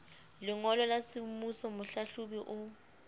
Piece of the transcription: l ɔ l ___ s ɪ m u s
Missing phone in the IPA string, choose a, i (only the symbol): a